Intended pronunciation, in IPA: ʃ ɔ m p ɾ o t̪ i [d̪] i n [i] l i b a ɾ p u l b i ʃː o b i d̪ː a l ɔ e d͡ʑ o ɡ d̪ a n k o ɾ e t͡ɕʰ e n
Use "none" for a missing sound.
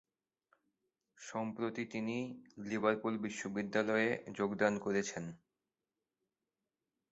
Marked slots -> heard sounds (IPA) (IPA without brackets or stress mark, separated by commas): t̪, i